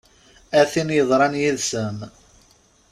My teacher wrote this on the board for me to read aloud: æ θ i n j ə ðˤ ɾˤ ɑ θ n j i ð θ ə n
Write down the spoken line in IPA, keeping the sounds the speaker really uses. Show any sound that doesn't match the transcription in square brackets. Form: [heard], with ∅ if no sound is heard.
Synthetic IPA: æ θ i n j ə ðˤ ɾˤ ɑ [∅] n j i ð [s] ə [m]